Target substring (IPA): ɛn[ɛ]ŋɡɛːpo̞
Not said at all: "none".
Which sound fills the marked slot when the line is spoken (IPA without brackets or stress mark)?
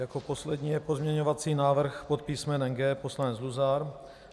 ɛ